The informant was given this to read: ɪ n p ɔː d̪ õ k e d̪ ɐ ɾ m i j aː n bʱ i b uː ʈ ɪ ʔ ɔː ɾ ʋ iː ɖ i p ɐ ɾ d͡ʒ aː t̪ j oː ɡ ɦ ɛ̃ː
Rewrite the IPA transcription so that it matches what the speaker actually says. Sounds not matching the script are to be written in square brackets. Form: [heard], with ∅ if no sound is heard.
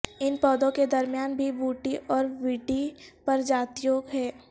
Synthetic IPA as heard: ɪ n p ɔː d̪ õ k e d̪ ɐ ɾ m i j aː n bʱ i b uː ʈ [i] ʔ ɔː ɾ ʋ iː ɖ i p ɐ ɾ d͡ʒ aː t̪ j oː ɡ ɦ [ɛː]